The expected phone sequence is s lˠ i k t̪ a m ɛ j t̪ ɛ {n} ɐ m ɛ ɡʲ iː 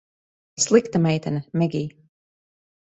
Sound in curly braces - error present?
no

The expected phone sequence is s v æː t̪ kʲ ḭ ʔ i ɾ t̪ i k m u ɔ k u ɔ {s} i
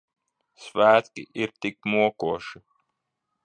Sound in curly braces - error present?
yes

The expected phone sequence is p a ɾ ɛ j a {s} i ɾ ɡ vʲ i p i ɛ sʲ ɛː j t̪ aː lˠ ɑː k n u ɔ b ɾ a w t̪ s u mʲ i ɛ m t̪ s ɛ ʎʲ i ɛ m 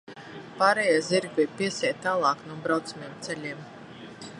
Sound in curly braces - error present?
yes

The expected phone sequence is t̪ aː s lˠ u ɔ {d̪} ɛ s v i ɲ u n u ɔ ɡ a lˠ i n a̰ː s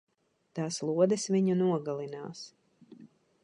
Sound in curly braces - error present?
no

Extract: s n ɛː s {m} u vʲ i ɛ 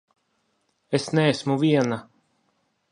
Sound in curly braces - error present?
no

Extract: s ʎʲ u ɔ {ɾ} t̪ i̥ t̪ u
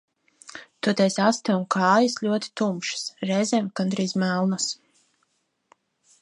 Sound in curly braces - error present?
yes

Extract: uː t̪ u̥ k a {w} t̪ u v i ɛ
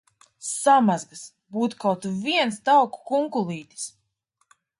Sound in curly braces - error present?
no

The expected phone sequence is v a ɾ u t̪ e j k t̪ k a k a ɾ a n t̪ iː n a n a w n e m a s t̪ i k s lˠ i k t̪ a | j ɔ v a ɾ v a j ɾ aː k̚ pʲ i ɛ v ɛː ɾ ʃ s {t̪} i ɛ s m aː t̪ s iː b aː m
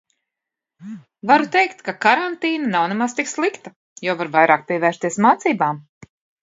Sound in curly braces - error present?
no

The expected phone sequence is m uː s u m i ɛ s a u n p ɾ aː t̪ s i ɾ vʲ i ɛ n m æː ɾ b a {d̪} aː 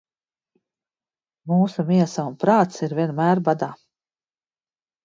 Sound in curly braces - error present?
no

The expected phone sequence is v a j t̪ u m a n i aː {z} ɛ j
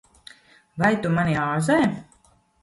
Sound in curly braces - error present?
no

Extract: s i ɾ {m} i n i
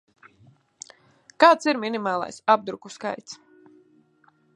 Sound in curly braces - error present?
no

